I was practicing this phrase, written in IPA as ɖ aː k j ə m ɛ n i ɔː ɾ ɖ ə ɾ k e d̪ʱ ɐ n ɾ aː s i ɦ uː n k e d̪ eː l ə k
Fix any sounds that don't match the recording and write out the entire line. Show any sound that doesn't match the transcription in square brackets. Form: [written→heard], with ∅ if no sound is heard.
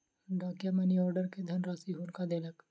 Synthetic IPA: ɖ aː k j [ə→a] m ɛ n i ɔː ɾ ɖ ə ɾ k e d̪ʱ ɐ n ɾ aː s i ɦ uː n k [e→a] d̪ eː l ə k

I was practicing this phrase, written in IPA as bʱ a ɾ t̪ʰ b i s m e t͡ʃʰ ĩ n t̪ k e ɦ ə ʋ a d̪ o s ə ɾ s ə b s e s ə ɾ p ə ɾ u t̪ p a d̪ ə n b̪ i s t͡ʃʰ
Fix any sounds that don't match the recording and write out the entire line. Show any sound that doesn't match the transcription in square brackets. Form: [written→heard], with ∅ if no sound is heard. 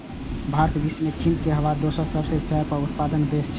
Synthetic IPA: bʱ a ɾ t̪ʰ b i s m e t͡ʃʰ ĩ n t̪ k e ɦ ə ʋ a d̪ o s ə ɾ s ə b s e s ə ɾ p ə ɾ u t̪ p a d̪ ə n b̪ [i→e] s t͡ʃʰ

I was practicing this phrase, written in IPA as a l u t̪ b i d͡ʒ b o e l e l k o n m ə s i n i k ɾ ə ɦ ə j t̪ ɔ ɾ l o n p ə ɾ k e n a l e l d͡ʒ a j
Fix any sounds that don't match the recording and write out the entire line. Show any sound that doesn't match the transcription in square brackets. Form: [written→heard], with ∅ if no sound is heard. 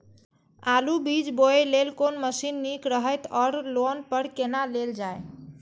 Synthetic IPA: a l u [t̪→∅] b i d͡ʒ b o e l e l k o n m ə s i [n→nː] i k ɾ ə ɦ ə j t̪ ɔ ɾ l o n p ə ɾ k e n a l e l d͡ʒ a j

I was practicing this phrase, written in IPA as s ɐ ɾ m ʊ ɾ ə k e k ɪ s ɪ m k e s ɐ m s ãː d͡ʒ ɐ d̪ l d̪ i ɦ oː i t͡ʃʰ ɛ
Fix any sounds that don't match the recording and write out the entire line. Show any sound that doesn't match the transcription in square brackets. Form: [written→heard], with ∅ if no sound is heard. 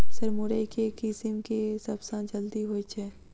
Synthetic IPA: s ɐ ɾ m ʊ ɾ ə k e k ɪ s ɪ m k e s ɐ [m→b] s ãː d͡ʒ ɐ [d̪→∅] l d̪ i ɦ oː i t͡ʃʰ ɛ

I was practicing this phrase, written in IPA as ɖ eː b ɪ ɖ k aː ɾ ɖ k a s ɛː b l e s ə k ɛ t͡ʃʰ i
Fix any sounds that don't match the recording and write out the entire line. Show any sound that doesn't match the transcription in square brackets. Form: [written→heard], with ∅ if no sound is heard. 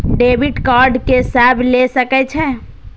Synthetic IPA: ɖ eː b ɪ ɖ k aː ɾ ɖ k [a→e] s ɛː b l e s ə k ɛ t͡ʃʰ [i→ɛ]

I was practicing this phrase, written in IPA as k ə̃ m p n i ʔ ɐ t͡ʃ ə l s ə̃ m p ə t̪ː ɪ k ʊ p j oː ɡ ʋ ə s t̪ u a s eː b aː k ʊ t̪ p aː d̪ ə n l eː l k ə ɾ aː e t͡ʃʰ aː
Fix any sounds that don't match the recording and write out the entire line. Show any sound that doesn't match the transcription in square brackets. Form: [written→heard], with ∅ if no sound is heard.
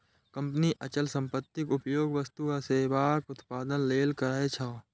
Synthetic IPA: k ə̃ m p n i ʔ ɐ t͡ʃ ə l s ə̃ m p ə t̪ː ɪ k ʊ p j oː ɡ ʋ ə s t̪ u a s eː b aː k ʊ t̪ p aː d̪ ə n l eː l k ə ɾ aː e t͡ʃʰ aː

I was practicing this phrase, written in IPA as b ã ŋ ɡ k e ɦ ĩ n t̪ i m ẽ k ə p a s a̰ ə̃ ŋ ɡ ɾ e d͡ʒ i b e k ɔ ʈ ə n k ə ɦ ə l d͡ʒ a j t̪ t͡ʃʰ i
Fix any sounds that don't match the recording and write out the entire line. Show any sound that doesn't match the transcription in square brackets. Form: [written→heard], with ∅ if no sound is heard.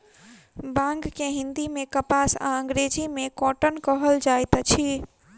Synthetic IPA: b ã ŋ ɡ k e ɦ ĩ n [t̪→d̪] i m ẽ k ə p a s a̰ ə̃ ŋ ɡ ɾ e d͡ʒ i [b→m] e k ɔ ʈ ə n k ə ɦ ə l d͡ʒ a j t̪ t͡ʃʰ i

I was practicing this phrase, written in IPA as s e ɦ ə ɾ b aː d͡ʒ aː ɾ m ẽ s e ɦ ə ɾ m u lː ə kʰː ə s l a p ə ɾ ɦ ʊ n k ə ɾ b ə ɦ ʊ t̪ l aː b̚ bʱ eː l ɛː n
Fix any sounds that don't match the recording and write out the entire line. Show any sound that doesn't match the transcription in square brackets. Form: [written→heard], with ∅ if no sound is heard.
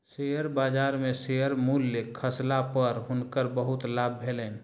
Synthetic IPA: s e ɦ ə ɾ b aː d͡ʒ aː ɾ m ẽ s e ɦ ə ɾ m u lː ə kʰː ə s l a p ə ɾ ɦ ʊ n k ə ɾ b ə ɦ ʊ t̪ l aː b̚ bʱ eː l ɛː n

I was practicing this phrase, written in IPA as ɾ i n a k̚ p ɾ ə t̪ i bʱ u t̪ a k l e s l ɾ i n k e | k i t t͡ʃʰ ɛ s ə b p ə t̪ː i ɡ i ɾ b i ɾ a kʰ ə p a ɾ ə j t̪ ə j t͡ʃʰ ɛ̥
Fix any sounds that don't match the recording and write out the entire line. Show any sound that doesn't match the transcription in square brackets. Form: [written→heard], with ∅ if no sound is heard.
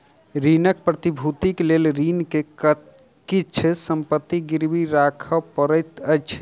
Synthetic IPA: ɾ i n [a→ə] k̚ p ɾ ə t̪ i bʱ u t̪ [a→i] k l e [s→∅] l ɾ i n k e | k i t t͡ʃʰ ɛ s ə [b→m] p ə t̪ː i ɡ i ɾ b i ɾ a kʰ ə p [a→ə] ɾ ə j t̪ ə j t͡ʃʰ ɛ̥

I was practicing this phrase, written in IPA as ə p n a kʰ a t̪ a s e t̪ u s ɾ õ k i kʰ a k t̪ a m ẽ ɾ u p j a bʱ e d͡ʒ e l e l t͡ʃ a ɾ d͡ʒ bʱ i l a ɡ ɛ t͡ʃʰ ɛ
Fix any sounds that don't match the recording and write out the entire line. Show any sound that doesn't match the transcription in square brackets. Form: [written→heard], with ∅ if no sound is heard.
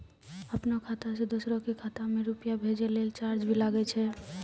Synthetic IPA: ə p n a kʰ a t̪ a s e [t̪→d̪] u s ɾ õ k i kʰ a [k→∅] t̪ a m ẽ ɾ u p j a bʱ e d͡ʒ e l e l t͡ʃ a ɾ d͡ʒ bʱ i l a ɡ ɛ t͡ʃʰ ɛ

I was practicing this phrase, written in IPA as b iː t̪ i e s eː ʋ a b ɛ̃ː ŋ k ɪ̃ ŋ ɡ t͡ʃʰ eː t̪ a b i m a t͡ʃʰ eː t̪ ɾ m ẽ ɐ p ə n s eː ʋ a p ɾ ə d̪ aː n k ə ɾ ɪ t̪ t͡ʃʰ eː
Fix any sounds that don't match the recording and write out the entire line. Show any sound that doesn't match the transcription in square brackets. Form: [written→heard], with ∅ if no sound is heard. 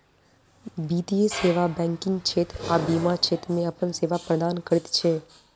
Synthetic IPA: b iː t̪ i e s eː ʋ a b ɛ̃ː ŋ k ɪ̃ ŋ ɡ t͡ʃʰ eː t̪ a b i m a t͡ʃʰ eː t̪ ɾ m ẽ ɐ p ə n s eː ʋ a p ɾ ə d̪ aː n k ə ɾ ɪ t̪ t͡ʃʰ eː

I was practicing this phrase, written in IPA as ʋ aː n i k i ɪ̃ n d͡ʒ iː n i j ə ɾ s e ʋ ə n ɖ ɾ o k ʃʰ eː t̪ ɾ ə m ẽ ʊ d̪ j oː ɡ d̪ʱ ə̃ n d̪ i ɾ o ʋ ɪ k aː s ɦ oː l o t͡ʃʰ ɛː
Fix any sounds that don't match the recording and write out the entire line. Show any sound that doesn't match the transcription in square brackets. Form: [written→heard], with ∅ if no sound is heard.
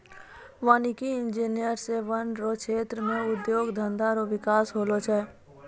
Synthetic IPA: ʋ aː n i k i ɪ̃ n d͡ʒ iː n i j ə ɾ s e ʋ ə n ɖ ɾ o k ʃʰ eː t̪ ɾ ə m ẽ ʊ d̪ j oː ɡ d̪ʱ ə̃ n d̪ [i→a] ɾ o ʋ ɪ k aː s ɦ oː l o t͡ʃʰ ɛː

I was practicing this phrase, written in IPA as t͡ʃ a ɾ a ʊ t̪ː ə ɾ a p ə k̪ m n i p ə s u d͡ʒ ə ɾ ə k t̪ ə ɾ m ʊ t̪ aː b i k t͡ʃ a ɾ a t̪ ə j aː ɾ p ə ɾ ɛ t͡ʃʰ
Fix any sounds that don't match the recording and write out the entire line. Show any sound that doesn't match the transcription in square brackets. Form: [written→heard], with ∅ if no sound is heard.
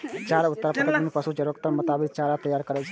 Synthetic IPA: t͡ʃ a ɾ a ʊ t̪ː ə ɾ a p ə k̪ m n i p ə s u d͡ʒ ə ɾ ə k t̪ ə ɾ m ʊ t̪ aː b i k t͡ʃ a ɾ a t̪ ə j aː ɾ [p→k] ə ɾ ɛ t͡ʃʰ

